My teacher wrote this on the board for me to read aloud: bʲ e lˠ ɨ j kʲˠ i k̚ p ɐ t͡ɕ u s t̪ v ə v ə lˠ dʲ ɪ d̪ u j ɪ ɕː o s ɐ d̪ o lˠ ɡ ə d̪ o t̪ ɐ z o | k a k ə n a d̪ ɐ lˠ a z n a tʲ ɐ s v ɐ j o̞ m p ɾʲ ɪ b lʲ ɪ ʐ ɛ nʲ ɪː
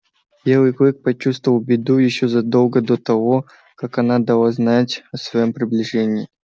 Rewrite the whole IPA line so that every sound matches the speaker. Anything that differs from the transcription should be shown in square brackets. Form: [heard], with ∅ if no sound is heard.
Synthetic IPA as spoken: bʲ e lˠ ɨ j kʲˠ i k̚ p ɐ t͡ɕ u s t̪ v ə v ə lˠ [bʲ] ɪ d̪ u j ɪ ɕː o [z] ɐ d̪ o lˠ ɡ ə d̪ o t̪ ɐ [v] o | k a k [ɐ] n a d̪ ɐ lˠ a z n a tʲ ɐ s v ɐ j o̞ m p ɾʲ ɪ b lʲ ɪ ʐ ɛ nʲ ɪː